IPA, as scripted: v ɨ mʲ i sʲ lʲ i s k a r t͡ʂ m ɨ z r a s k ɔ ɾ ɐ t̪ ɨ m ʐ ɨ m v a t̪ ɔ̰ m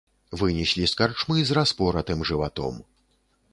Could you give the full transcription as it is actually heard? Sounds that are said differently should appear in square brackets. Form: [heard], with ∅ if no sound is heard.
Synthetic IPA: v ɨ [nʲ] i sʲ lʲ i s k a r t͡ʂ m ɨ z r a s [p] ɔ ɾ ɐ t̪ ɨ m ʐ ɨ [∅] v a t̪ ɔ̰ m